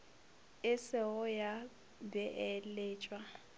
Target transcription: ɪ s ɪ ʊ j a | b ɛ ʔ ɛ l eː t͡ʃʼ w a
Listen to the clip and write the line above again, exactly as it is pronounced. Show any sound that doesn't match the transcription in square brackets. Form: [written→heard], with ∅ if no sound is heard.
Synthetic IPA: ɪ s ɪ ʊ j a | b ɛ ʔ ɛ l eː t͡ʃʼ w a